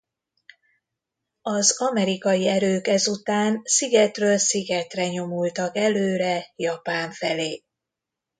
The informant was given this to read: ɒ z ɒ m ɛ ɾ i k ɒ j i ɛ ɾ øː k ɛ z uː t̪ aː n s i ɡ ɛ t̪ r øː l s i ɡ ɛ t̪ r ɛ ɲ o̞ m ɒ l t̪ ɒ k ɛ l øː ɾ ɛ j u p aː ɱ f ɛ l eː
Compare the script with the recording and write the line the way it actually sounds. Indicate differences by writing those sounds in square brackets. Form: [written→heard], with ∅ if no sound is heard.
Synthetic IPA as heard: ɒ z ɒ m ɛ ɾ i k ɒ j i ɛ ɾ øː k ɛ z [uː→u] t̪ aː n s i ɡ ɛ t̪ r øː l s i ɡ ɛ t̪ r ɛ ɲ o̞ m [ɒ→u] l t̪ ɒ k ɛ l øː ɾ ɛ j [u→ɒ] p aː ɱ f ɛ l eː